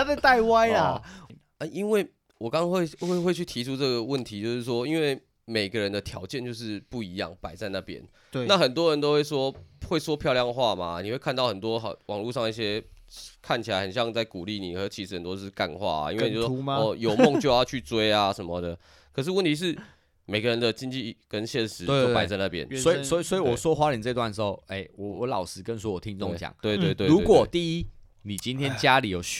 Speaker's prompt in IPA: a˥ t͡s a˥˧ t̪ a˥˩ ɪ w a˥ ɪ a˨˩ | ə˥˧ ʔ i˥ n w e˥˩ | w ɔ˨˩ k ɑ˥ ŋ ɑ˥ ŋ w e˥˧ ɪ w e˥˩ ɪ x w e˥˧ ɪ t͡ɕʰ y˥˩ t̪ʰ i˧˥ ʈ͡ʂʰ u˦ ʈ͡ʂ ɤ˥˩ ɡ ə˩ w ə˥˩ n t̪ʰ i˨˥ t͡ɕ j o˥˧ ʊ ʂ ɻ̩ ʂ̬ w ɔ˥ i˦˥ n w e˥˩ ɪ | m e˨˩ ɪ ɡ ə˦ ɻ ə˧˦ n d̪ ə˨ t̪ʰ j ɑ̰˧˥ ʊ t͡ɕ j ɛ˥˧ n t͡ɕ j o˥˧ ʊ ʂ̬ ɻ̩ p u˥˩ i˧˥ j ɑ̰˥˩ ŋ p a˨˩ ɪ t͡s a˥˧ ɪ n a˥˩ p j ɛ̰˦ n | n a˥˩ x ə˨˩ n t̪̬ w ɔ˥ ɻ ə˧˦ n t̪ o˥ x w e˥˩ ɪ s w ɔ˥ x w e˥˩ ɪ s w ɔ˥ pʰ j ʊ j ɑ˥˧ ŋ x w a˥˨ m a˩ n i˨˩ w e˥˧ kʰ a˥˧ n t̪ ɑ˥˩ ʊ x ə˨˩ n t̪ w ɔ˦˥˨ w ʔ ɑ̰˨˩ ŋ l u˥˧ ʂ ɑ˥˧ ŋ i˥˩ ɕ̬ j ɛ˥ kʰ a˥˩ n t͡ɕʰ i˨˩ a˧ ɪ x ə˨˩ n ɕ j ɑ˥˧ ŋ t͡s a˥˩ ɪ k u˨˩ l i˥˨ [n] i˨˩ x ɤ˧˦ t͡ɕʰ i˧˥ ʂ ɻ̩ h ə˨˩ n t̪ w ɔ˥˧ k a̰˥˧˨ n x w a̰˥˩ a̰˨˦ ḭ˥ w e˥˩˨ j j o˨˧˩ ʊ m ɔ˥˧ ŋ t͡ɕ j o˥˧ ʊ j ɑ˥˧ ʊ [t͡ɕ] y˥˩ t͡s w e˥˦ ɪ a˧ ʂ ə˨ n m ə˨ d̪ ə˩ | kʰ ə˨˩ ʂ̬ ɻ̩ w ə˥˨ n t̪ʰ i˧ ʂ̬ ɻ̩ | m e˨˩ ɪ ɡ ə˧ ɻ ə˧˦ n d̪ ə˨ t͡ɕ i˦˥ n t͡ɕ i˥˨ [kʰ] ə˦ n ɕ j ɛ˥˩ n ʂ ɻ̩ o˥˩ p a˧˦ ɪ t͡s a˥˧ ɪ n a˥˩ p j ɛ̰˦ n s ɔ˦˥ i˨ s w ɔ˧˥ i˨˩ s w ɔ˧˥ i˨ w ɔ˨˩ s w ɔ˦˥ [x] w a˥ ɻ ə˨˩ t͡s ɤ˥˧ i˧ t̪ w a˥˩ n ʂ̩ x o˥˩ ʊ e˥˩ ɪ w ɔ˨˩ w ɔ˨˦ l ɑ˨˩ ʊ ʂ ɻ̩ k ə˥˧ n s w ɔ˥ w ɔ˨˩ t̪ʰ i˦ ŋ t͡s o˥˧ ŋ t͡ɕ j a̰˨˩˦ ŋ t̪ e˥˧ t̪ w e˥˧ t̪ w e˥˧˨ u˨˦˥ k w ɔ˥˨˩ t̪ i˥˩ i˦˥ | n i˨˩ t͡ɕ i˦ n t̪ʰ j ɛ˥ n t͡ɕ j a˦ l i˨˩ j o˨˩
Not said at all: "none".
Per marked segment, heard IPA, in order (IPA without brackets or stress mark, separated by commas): n, t͡ɕʰ, k, x